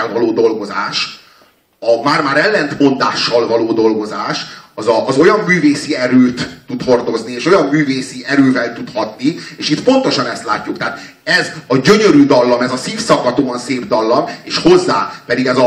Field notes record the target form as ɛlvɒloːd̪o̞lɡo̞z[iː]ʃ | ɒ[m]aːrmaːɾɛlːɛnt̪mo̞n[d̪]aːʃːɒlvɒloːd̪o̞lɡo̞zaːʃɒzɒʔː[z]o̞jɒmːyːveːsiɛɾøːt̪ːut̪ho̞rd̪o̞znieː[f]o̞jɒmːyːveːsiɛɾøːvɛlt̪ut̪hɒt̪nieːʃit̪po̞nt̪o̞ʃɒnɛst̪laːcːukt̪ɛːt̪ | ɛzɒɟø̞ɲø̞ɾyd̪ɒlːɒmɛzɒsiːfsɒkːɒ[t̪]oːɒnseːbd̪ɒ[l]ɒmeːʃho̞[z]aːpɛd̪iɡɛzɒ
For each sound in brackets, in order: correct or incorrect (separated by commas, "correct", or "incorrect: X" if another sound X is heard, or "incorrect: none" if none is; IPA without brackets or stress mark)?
incorrect: aː, correct, correct, correct, incorrect: ʃ, correct, incorrect: lː, incorrect: zː